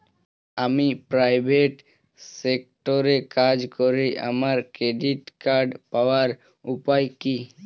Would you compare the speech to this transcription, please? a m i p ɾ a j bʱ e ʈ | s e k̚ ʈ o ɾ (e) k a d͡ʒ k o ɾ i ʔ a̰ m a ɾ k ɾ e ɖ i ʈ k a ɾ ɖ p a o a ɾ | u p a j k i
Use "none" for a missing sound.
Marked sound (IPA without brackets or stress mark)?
e